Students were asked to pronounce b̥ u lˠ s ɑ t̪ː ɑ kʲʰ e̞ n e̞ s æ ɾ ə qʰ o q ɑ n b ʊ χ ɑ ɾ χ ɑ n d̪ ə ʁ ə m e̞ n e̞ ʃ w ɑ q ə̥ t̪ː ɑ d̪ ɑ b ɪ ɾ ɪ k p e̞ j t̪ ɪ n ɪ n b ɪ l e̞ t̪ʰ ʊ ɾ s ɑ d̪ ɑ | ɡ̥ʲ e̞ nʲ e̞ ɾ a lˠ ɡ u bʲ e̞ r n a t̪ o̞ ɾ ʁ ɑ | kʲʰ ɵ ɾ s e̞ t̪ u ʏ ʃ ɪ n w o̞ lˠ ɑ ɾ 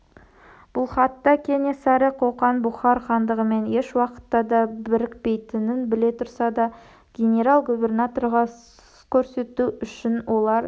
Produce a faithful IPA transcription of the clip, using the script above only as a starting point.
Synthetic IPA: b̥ ʊ lˠ χ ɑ t̪ː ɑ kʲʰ e̞ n e̞ s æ ɾ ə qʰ o q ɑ n b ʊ χ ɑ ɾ χ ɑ n d̪ ə ʁ ə m e̞ n e̞ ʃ w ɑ q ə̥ t̪ː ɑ d̪ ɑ b ɪ ɾ ɪ k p e̞ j t̪ ɪ n ɪ n b ɪ l e̞ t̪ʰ ʊ ɾ s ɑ d̪ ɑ | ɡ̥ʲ e̞ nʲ e̞ ɾ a lˠ ɡ u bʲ e̞ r n a t̪ o̞ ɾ ʁ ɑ | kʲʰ ɵ ɾ s e̞ t̪ u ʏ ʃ ɪ n w o̞ lˠ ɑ ɾ